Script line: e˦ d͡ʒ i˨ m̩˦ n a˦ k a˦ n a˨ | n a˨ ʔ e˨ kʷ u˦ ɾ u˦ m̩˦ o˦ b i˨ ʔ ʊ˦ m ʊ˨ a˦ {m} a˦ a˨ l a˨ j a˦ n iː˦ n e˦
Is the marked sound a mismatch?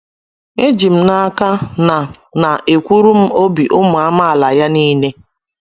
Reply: no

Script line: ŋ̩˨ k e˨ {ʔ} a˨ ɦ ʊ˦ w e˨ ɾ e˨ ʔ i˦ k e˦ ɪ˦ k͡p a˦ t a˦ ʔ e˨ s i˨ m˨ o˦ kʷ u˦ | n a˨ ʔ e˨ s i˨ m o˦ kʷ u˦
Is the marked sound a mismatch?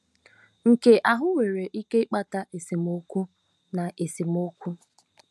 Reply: no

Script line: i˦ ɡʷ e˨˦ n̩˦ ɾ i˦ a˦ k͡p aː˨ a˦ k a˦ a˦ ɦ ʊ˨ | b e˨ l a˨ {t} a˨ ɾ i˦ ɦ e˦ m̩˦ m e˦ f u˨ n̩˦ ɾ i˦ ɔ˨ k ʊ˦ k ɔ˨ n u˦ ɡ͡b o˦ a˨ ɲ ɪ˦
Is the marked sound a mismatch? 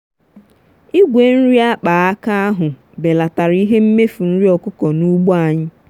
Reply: no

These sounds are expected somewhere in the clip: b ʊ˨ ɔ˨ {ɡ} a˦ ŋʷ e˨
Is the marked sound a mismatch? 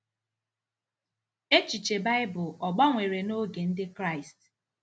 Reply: yes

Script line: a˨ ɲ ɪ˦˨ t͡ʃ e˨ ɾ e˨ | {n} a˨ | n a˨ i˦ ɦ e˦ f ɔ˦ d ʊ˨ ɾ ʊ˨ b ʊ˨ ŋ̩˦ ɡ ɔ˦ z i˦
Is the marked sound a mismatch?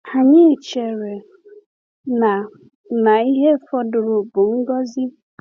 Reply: no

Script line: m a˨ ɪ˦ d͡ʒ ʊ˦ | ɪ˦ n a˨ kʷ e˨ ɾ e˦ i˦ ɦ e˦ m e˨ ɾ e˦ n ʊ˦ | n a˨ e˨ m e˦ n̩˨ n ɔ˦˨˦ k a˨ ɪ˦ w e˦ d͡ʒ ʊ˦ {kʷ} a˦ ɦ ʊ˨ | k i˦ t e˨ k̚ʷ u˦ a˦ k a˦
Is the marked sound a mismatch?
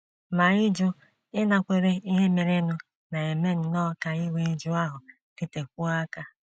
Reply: yes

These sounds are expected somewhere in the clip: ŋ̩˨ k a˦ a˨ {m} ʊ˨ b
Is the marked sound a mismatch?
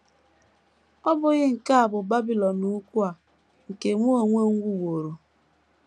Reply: yes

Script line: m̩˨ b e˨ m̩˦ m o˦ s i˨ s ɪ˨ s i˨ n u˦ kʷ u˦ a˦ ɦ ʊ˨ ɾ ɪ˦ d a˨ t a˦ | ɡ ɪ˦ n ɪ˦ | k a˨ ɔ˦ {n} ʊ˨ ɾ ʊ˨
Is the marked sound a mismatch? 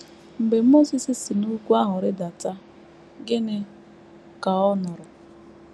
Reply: no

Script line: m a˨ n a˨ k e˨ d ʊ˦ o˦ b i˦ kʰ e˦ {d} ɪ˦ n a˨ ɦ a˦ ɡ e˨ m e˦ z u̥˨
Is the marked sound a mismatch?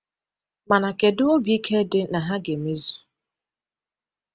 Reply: no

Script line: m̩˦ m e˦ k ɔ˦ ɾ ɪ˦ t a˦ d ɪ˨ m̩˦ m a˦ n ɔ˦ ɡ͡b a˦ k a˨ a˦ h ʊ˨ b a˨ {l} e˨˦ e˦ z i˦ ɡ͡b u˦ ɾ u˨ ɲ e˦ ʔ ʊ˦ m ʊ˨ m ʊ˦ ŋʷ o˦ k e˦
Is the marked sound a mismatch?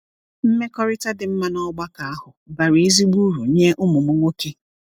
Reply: yes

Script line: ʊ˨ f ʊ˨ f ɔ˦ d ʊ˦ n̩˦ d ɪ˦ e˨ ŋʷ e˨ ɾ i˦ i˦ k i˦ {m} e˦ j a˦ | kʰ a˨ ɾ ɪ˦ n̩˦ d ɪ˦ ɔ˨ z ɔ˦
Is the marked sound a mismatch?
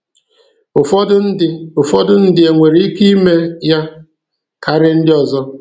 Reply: no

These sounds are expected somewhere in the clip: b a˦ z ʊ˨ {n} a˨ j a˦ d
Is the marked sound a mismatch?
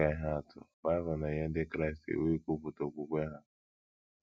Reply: no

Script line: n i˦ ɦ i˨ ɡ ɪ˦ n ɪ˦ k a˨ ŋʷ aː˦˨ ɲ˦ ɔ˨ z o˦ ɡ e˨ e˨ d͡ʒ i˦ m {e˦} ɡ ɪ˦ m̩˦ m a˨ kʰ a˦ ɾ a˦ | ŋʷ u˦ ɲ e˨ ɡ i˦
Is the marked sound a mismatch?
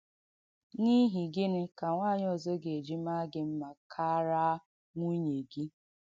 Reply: yes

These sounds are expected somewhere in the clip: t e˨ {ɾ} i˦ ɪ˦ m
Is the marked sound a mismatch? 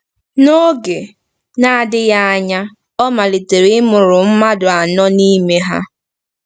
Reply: no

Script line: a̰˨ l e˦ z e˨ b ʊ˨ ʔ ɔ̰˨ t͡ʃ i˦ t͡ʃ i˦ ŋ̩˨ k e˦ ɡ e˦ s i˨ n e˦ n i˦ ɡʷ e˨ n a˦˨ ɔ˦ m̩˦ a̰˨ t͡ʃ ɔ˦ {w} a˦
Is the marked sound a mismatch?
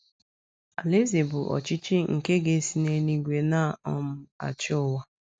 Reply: no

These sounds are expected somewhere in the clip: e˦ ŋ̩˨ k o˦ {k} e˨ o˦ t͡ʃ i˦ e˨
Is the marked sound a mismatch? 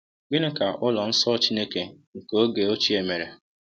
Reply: yes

